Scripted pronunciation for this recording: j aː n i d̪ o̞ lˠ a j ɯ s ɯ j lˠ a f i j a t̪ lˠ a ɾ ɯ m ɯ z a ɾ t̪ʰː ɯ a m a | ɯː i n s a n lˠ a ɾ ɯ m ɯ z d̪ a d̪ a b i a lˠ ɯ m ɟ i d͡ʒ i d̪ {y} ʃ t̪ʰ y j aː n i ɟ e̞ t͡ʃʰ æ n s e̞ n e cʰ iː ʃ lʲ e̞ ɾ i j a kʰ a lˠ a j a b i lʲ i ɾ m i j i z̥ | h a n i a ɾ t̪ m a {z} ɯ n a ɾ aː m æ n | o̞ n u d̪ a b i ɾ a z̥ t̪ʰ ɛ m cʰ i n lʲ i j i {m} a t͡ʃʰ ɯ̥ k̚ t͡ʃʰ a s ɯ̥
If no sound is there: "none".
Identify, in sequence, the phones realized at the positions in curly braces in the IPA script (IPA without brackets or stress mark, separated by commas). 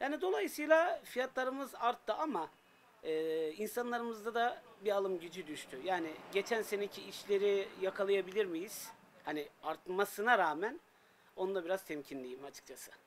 y, s, m